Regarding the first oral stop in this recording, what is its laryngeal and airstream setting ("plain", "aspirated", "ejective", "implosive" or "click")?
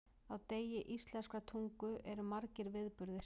plain